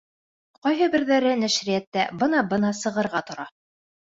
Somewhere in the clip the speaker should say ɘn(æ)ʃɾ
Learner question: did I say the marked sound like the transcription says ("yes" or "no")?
yes